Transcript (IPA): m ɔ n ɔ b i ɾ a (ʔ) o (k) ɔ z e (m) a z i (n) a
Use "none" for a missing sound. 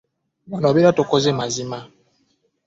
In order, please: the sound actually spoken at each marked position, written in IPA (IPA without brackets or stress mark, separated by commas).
t, k, m, m